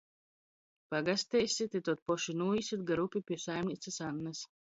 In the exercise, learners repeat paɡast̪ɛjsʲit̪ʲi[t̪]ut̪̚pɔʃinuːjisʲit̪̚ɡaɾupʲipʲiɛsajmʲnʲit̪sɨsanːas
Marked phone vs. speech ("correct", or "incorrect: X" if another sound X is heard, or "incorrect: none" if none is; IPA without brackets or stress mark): correct